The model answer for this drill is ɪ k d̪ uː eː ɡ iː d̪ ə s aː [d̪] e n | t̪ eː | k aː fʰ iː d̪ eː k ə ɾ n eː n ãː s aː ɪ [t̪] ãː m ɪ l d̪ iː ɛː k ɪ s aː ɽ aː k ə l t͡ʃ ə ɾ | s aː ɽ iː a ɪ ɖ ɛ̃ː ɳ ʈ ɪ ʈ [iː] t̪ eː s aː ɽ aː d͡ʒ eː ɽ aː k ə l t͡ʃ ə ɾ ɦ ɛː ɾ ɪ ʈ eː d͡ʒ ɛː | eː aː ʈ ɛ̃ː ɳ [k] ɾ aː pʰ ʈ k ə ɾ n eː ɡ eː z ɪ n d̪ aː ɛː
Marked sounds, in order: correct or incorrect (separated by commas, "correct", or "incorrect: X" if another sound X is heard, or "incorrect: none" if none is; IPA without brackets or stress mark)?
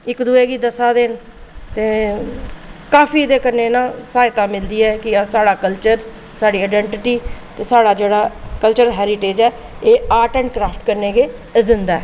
correct, correct, correct, correct